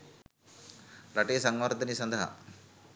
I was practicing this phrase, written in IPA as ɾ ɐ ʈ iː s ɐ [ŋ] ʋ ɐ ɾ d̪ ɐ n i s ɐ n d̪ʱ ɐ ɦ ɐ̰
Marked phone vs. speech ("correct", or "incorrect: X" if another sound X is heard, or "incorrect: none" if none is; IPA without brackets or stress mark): correct